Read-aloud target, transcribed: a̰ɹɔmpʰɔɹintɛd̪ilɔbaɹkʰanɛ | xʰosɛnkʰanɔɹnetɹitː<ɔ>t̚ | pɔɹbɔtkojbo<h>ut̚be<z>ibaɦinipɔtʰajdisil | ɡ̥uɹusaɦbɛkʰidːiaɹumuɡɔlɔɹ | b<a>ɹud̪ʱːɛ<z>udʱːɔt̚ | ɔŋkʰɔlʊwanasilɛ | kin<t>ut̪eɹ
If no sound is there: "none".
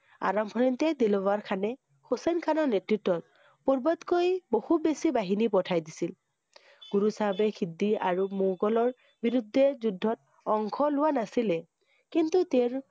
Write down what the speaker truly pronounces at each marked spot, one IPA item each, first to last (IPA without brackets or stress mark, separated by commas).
ɔ, h, s, i, z, t